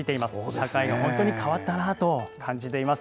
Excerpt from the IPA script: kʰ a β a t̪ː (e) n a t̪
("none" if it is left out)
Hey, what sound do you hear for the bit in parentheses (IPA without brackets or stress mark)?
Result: a